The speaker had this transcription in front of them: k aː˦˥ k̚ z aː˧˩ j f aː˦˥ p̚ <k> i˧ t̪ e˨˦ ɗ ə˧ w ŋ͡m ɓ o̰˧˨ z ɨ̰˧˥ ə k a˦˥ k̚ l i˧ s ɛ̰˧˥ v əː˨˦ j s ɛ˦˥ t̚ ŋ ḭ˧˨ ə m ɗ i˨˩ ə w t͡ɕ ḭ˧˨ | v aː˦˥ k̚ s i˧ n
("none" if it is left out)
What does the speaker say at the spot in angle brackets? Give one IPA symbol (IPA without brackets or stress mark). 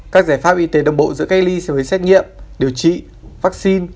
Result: ʔ